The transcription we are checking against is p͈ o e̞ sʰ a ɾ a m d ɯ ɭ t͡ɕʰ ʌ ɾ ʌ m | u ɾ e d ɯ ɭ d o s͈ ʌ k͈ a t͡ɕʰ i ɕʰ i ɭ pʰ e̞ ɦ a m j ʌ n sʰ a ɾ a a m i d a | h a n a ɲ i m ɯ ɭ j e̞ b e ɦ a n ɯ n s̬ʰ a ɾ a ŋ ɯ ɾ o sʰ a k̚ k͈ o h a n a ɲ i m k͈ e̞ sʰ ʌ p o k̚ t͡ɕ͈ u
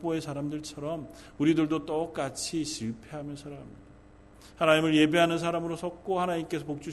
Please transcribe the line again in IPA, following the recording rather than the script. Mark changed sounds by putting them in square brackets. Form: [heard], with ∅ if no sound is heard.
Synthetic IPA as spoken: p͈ o e̞ sʰ a ɾ a m d ɯ ɭ t͡ɕʰ ʌ ɾ ʌ m | u ɾ [i] d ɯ ɭ d o [t͈] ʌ k͈ a t͡ɕʰ i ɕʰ i ɭ pʰ e̞ ɦ a m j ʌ n sʰ a ɾ a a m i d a | h a n a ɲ i m ɯ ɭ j e̞ b e ɦ a n ɯ n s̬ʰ a ɾ a [m] ɯ ɾ o sʰ [ʌ] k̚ k͈ o h a n a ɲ i m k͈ e̞ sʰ ʌ p o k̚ t͡ɕ͈ u